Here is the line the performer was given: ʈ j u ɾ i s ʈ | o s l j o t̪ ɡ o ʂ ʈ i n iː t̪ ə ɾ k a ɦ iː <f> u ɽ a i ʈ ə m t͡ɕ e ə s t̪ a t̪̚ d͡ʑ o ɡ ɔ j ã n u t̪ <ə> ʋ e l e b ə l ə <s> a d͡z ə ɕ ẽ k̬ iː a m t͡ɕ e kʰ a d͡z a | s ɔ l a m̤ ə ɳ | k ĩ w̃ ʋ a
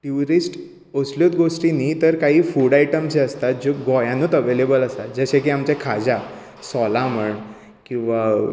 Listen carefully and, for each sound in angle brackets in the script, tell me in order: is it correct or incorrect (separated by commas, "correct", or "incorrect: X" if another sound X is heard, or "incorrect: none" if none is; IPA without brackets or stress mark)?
correct, correct, correct